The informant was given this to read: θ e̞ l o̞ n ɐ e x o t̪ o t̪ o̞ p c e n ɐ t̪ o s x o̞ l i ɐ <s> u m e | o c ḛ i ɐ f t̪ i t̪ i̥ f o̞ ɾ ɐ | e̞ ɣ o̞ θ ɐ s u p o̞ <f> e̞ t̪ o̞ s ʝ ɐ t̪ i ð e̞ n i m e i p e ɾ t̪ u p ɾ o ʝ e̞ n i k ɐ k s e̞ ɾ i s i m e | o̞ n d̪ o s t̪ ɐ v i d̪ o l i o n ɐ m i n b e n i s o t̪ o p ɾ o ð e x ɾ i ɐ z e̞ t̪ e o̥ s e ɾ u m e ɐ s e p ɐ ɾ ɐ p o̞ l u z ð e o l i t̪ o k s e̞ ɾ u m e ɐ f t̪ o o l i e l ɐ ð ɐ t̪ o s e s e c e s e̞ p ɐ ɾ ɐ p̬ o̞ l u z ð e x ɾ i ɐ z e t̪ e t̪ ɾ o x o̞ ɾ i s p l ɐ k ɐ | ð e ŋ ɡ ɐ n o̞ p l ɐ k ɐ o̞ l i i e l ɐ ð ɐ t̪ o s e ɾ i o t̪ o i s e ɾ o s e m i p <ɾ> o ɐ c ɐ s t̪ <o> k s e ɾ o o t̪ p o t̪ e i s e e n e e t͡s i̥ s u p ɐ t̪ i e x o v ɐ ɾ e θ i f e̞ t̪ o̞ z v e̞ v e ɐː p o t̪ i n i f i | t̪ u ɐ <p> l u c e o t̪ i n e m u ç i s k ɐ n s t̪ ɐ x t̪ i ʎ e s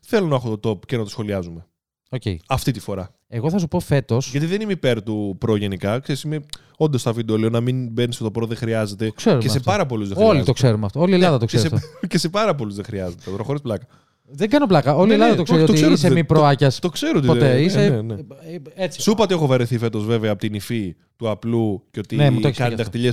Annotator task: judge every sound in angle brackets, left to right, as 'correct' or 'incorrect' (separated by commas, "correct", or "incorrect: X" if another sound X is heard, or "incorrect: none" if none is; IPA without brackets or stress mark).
incorrect: z, correct, correct, correct, correct